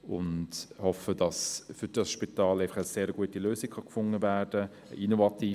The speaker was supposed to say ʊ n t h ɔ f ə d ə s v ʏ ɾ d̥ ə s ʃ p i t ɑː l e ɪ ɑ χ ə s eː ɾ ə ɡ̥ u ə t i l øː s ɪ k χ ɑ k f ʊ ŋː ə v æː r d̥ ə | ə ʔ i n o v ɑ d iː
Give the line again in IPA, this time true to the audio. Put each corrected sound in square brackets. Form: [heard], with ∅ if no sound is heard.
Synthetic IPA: ʊ n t h ɔ f ə d [ɑ] s [f] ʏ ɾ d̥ [ɑ] s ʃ p i t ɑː l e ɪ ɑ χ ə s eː ɾ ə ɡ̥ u ə t i l øː s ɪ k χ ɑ k f ʊ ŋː ə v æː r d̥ ə | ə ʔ i n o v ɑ [t] iː